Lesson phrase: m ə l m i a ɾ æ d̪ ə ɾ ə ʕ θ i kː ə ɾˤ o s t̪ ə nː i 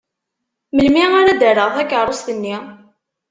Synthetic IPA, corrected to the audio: m ə l m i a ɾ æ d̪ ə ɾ ə ʁ θ æ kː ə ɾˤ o s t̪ ə nː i